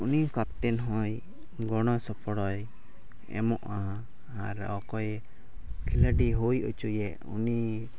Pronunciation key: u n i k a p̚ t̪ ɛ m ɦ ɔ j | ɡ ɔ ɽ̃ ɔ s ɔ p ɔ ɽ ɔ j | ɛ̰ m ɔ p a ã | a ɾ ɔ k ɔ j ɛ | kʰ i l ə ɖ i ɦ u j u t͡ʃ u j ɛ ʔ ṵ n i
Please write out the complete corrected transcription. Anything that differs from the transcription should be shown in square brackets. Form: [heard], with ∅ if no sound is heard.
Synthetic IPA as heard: u n i k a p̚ t̪ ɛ [n] ɦ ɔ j | ɡ ɔ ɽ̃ ɔ s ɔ p ɔ ɽ ɔ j | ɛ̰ m ɔ [ʔ] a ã | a ɾ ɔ k ɔ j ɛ | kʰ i l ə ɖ i ɦ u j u t͡ʃ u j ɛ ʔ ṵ n i